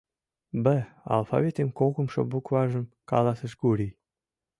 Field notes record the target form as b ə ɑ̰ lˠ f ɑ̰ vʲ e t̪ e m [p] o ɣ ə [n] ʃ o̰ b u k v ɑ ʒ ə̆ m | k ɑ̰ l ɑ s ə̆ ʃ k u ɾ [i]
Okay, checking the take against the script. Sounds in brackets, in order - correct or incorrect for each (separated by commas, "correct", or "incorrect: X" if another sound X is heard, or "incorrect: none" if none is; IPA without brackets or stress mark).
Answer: incorrect: k, incorrect: m, correct